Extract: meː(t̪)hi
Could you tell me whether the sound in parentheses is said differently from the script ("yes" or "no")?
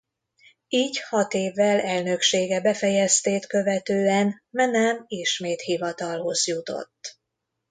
no